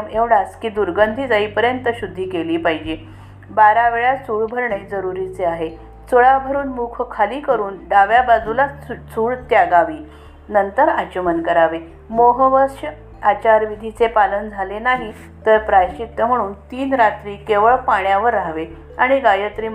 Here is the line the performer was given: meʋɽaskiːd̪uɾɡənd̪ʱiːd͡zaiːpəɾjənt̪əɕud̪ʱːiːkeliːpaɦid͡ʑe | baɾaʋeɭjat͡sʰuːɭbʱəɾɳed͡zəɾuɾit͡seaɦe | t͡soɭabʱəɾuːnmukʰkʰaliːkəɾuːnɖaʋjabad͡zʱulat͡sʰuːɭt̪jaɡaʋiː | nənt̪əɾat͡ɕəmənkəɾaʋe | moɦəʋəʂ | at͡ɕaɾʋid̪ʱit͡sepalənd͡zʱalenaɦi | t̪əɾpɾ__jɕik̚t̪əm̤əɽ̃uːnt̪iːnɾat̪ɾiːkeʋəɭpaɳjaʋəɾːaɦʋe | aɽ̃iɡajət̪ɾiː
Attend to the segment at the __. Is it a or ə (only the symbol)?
a